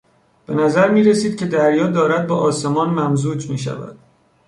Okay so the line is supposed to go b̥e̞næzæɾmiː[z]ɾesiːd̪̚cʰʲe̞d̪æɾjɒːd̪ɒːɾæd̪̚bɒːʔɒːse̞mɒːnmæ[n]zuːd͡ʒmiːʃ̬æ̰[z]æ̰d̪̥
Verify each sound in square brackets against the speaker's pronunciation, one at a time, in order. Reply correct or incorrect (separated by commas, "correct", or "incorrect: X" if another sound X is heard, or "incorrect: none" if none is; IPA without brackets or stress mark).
incorrect: none, incorrect: m, incorrect: v